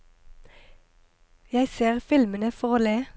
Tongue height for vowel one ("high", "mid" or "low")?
low